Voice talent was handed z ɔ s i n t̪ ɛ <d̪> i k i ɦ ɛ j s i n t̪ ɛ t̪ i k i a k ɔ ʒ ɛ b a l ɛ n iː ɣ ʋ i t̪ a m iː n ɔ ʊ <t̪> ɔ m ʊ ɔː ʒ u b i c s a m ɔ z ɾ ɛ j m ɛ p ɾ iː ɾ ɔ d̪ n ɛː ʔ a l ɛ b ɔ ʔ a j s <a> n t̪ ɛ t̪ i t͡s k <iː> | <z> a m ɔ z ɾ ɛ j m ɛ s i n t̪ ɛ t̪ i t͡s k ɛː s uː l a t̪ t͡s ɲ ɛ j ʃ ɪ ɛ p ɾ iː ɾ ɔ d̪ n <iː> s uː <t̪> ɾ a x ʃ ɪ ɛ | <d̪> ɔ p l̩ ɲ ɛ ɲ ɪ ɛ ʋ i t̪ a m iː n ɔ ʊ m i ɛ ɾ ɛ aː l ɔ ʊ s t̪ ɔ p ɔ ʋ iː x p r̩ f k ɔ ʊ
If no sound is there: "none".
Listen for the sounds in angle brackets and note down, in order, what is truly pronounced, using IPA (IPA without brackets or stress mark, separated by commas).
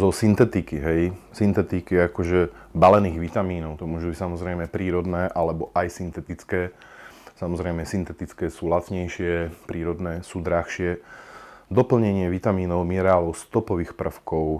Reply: t̪, t̪, i, ɛː, s, ɛː, d̪, d̪